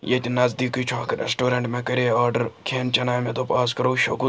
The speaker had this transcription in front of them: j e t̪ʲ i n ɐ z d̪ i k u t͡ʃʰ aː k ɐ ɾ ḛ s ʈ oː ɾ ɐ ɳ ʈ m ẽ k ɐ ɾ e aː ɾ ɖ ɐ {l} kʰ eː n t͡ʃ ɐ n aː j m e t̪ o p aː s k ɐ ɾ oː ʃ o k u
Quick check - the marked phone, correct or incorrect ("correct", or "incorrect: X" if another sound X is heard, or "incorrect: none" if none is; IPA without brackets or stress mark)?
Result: incorrect: ɾ